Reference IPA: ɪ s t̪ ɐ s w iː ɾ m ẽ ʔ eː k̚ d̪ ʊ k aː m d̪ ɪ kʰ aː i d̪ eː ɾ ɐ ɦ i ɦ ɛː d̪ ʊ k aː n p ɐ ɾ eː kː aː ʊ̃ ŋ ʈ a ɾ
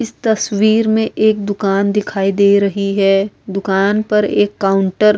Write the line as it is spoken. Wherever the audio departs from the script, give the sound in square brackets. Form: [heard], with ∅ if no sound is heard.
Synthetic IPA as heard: ɪ s t̪ ɐ s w iː ɾ m ẽ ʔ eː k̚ d̪ ʊ k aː [n] d̪ ɪ kʰ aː i d̪ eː ɾ ɐ ɦ i ɦ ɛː d̪ ʊ k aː n p ɐ ɾ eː kː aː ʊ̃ [ɳ] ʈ [ə] ɾ

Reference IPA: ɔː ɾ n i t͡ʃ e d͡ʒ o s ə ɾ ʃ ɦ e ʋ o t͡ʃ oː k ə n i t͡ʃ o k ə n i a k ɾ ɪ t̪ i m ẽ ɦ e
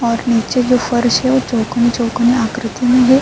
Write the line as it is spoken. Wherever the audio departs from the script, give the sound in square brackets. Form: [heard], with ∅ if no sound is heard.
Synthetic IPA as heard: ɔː ɾ n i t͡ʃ e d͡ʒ o [f] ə ɾ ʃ ɦ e ʋ o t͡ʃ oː k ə n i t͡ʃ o k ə n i a k ɾ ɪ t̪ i m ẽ ɦ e

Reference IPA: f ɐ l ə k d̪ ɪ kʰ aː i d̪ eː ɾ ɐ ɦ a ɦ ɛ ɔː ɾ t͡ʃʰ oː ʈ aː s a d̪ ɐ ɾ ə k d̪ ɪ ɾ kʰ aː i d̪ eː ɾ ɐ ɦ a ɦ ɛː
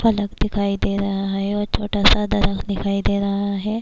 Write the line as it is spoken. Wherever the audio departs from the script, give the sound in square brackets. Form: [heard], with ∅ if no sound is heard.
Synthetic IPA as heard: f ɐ l ə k d̪ ɪ kʰ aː i d̪ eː ɾ ɐ ɦ a ɦ ɛ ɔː ɾ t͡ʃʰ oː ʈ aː s a d̪ ɐ ɾ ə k d̪ ɪ [∅] kʰ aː i d̪ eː ɾ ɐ ɦ a ɦ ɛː

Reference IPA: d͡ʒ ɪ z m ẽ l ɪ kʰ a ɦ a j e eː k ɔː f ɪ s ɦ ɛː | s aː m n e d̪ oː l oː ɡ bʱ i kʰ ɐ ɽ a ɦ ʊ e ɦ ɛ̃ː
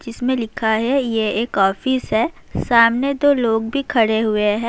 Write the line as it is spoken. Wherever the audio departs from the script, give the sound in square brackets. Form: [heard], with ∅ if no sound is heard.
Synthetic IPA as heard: d͡ʒ ɪ [s] m ẽ l ɪ kʰ a ɦ [ɛ] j e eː k ɔː f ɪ s ɦ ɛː | s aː m n e d̪ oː l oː ɡ bʱ i kʰ ɐ ɽ [e] ɦ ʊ e ɦ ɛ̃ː

